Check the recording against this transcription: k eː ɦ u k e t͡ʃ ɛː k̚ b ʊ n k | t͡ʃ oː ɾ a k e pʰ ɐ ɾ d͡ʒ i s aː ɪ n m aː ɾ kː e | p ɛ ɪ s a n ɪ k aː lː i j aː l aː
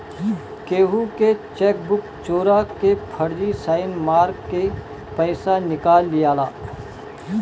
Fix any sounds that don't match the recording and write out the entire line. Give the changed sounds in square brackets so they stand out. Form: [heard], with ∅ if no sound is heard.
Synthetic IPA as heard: k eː ɦ u k e t͡ʃ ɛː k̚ b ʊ [∅] k | t͡ʃ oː ɾ a k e pʰ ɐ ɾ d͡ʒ i s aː ɪ n m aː ɾ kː e | p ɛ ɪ s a n ɪ k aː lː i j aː l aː

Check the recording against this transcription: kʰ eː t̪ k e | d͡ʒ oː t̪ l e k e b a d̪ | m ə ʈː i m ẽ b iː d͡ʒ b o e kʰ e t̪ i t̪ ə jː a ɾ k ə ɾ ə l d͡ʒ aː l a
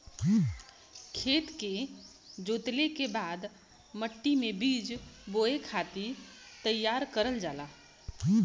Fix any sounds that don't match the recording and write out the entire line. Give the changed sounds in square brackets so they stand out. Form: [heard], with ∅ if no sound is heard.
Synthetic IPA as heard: kʰ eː t̪ k e | d͡ʒ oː t̪ l e k e b a d̪ | m ə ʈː i m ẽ b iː d͡ʒ b o e kʰ [a] t̪ i t̪ ə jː a ɾ k ə ɾ ə l d͡ʒ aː l a

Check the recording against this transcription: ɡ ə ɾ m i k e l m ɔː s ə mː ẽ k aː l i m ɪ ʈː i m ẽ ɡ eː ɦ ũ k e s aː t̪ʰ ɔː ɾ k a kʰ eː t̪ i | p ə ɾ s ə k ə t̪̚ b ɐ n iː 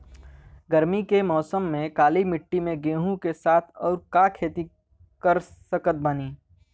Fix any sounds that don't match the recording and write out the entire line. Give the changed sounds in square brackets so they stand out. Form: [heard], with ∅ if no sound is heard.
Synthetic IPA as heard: ɡ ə ɾ m i k e [∅] m ɔː s ə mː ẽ k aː l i m ɪ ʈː i m ẽ ɡ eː ɦ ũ k e s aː t̪ʰ ɔː ɾ k a kʰ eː t̪ i | [k] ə ɾ s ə k ə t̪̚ b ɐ n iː

